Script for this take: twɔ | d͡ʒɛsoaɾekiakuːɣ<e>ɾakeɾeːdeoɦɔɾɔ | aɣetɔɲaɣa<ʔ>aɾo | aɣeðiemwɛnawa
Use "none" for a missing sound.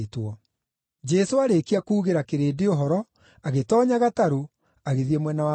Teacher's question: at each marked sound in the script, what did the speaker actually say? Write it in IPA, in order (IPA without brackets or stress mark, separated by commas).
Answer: e, t